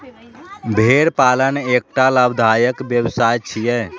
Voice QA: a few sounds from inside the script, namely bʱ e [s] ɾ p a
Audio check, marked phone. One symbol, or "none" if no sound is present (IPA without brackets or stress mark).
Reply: none